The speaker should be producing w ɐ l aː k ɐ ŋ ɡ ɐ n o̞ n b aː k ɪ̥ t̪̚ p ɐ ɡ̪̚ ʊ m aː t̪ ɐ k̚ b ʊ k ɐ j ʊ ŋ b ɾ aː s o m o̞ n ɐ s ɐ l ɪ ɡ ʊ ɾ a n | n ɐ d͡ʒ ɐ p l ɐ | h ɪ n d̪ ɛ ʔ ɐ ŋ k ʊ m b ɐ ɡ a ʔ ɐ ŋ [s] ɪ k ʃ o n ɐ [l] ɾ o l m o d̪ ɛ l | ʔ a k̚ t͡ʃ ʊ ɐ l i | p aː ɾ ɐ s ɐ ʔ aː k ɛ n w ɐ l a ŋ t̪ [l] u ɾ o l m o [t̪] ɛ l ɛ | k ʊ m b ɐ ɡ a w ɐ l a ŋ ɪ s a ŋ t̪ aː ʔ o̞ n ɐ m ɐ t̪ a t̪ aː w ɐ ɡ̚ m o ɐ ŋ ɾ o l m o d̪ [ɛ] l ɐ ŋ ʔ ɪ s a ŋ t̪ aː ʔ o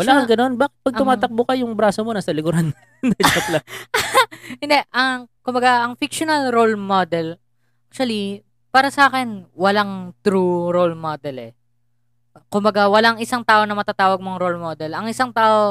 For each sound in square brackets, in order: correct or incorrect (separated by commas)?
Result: incorrect, correct, incorrect, incorrect, correct